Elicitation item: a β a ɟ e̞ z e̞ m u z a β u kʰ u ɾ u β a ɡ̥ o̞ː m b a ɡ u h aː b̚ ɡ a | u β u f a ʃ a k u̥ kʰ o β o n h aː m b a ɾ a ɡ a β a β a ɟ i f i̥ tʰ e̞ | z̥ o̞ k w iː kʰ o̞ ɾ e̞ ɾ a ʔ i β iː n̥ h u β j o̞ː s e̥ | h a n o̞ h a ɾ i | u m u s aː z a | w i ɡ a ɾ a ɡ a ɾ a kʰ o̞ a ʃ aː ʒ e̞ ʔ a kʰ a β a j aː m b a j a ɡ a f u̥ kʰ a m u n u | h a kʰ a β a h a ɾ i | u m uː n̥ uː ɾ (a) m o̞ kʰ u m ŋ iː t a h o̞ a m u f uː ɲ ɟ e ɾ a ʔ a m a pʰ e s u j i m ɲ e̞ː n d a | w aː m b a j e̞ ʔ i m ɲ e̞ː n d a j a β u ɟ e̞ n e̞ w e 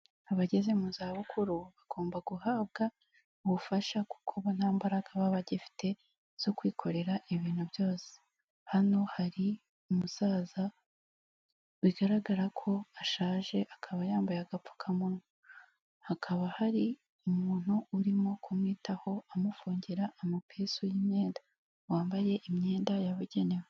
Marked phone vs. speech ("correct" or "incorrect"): incorrect